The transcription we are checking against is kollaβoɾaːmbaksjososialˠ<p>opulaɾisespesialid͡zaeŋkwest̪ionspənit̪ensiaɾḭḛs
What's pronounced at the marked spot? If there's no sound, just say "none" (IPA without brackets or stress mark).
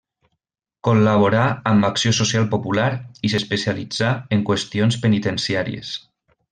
p